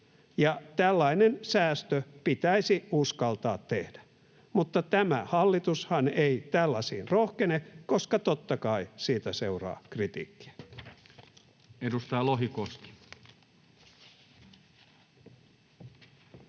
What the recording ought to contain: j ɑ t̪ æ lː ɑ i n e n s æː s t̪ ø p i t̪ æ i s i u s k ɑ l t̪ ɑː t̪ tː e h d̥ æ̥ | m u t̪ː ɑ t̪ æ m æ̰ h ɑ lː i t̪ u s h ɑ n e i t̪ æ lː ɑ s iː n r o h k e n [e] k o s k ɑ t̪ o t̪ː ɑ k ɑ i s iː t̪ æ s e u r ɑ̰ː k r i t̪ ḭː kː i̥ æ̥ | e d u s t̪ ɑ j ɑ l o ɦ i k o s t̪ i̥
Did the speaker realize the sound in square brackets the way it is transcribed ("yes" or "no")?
yes